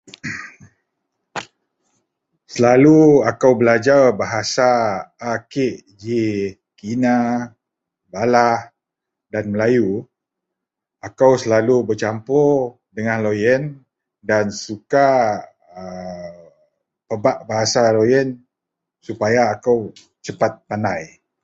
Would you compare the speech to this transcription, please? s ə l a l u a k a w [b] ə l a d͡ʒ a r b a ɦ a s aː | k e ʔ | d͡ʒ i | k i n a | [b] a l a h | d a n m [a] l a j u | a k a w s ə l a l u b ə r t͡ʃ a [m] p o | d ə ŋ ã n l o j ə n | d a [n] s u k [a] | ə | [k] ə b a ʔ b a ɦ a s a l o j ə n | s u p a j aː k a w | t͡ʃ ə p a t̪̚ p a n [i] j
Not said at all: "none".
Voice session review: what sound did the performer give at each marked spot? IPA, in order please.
b, b, ə, m, n, a, p, a

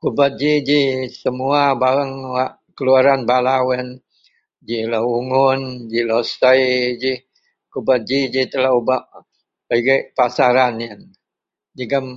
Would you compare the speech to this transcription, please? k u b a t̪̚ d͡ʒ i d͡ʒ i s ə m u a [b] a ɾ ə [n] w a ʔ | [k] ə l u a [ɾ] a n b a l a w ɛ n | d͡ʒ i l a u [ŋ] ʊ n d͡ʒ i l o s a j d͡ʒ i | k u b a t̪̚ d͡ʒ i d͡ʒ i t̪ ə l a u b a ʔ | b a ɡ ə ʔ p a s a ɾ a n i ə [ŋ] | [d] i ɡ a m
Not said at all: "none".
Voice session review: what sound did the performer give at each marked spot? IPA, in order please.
b, ŋ, k, ɾ, ŋ, n, d͡ʒ

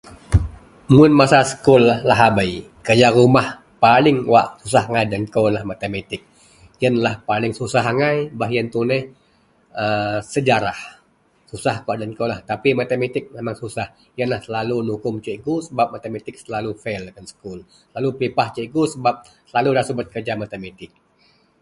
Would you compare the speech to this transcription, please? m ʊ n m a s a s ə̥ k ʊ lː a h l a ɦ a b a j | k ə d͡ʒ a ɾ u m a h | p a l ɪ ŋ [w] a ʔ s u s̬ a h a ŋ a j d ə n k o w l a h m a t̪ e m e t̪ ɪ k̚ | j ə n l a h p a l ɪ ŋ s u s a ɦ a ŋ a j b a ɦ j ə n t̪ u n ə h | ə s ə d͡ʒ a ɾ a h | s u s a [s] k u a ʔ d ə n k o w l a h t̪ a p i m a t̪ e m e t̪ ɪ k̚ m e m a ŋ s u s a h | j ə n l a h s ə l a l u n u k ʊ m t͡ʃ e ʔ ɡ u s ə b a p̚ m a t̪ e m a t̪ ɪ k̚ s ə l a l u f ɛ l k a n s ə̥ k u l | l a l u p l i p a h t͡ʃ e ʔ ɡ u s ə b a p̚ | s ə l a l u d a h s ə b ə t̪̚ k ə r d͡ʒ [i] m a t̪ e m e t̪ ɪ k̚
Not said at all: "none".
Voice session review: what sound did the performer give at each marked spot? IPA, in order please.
w, h, a

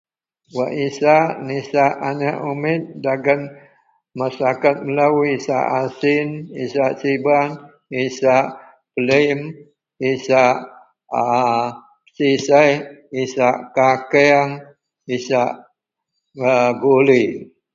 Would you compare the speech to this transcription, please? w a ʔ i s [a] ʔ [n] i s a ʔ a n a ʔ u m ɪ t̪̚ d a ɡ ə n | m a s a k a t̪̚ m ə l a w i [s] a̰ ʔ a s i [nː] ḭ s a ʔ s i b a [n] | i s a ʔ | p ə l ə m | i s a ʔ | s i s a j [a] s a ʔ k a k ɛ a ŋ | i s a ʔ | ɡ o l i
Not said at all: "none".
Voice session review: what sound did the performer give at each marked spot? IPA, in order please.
a, n, s, n, n, i

